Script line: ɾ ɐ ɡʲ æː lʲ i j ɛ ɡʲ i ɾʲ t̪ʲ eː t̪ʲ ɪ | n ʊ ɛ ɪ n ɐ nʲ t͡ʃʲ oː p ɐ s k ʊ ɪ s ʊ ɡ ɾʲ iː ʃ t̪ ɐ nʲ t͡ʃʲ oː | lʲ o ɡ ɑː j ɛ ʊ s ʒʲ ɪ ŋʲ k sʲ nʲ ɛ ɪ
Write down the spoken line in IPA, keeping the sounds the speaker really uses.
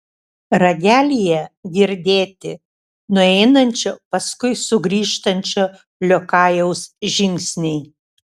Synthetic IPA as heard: ɾ ɐ ɡʲ æː lʲ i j ɛ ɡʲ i ɾʲ d̪ʲ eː t̪ʲ ɪ | n ʊ ɛ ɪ n ɐ nʲ t͡ʃʲ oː p ɐ s k ʊ ɪ s ʊ ɡ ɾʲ iː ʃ t̪ ɐ nʲ t͡ʃʲ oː | lʲ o k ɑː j ɛ ʊ s ʒʲ ɪ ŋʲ k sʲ nʲ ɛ ɪ